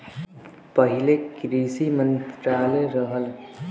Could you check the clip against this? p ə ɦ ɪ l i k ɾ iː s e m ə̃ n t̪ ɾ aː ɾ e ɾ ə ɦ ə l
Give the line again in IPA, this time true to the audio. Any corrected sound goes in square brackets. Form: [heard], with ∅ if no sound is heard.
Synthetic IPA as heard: p ə ɦ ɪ l [e] k ɾ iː s [i] m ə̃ n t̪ ɾ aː [l] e ɾ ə ɦ ə l